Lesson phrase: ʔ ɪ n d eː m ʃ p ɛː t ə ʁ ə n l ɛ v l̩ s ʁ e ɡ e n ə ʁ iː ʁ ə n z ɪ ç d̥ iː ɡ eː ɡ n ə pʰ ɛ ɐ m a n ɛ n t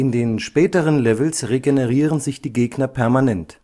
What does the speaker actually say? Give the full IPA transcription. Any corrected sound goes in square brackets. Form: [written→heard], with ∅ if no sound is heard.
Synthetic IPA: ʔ ɪ n d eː [m→n] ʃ p ɛː t ə ʁ ə n l ɛ v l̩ s ʁ e ɡ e n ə ʁ iː ʁ ə n z ɪ ç d̥ iː ɡ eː ɡ n [ə→ɐ] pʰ ɛ ɐ m a n ɛ n t